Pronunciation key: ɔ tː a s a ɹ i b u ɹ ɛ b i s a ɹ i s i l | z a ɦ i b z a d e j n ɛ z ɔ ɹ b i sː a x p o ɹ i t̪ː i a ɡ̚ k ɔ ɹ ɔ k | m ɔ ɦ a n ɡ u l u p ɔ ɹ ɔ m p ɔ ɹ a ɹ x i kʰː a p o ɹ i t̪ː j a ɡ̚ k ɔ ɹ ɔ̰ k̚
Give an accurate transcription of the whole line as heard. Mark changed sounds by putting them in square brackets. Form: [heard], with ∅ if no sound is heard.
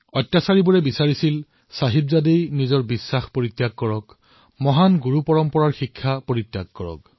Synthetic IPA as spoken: ɔ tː a s a ɹ i b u ɹ ɛ b i s a ɹ i s i l | [s] a ɦ i b z a d e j n [i] z ɔ ɹ b i sː a x p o ɹ i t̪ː [j] a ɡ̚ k ɔ ɹ ɔ k | m ɔ ɦ a n ɡ u [ɹ] u p ɔ ɹ ɔ m p ɔ ɹ a ɹ x i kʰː a p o ɹ i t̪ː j a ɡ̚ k ɔ ɹ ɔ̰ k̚